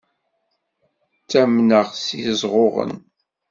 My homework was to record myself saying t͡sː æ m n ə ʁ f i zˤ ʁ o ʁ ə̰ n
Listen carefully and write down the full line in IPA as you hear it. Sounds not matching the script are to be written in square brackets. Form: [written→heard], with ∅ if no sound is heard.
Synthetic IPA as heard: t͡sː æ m n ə ʁ [f→s] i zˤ ʁ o ʁ ə̰ n